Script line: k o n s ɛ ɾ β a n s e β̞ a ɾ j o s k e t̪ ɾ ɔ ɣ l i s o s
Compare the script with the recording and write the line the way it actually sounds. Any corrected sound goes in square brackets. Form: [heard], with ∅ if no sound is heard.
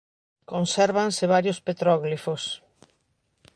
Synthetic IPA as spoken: k o n s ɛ ɾ β a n s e β̞ a ɾ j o s [p] e t̪ ɾ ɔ ɣ l i [f] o s